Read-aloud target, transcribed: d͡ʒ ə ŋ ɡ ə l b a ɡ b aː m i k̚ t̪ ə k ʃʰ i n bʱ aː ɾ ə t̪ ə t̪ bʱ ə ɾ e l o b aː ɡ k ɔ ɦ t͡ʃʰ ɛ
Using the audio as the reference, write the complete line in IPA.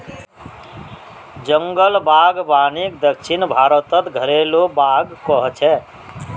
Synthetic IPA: d͡ʒ ə ŋ ɡ ə l b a ɡ b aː n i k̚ d̪ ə k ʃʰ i n bʱ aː ɾ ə t̪ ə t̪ ɡʱ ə ɾ e l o b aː ɡ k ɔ ɦ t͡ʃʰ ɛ